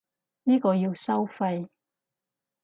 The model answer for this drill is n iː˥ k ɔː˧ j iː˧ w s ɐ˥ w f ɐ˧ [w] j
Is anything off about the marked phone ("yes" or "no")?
yes